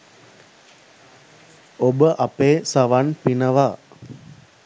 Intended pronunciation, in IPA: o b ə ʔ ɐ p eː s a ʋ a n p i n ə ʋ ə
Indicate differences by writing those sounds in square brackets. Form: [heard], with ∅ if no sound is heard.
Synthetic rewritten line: o b ə ʔ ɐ p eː s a ʋ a n p i n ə ʋ [a]